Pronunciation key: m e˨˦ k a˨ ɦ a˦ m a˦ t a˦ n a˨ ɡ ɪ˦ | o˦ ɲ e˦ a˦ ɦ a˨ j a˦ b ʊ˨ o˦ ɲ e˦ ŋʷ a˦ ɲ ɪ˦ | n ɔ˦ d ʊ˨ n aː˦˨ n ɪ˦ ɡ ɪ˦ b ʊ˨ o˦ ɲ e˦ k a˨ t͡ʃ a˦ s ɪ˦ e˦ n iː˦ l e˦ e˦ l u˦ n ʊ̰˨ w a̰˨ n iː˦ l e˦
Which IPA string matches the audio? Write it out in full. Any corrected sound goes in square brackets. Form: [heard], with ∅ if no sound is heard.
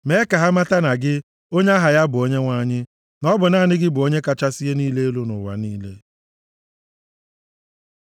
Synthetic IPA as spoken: m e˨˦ k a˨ ɦ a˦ m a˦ t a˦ n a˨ ɡ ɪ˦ | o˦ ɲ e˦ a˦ ɦ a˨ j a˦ b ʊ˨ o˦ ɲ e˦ ŋʷ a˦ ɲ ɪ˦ | n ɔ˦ [b] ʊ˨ n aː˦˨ n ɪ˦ ɡ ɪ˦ b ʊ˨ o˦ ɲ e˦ k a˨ t͡ʃ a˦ s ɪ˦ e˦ n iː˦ l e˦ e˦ l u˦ n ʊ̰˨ w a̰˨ n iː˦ l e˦